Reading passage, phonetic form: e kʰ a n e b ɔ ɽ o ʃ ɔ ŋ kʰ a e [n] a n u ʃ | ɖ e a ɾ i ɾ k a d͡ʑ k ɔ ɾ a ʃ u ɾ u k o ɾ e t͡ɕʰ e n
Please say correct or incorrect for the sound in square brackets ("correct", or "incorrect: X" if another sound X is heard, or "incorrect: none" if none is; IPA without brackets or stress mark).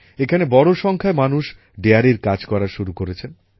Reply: incorrect: m